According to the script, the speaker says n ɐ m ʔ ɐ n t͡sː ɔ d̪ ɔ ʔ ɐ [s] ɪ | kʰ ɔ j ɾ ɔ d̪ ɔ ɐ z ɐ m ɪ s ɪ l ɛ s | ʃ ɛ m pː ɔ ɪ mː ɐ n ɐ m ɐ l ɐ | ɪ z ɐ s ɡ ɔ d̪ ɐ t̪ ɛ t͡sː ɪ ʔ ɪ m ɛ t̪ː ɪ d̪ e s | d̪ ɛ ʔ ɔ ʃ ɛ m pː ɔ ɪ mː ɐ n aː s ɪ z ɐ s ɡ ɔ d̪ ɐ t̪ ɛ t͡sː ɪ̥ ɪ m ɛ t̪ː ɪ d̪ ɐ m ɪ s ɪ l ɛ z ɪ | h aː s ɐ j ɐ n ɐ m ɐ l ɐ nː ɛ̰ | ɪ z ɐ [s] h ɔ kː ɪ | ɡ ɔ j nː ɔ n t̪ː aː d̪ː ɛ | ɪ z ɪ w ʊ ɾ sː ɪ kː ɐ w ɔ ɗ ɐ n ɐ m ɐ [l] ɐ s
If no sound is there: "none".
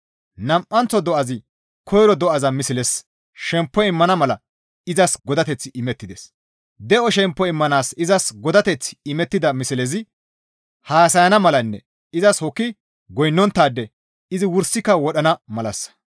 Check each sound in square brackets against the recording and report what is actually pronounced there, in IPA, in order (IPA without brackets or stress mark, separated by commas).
z, s, l